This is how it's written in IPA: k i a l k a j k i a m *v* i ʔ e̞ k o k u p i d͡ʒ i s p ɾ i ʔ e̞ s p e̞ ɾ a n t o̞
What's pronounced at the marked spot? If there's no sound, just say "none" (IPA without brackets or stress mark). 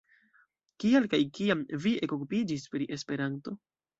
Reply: v